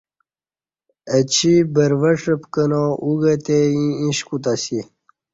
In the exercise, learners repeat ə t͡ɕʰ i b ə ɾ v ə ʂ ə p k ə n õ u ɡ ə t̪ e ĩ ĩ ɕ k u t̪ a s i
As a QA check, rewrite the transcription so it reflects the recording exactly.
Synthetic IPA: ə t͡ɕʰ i b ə ɾ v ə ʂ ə p k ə n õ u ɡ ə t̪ e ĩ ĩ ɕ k u t̪ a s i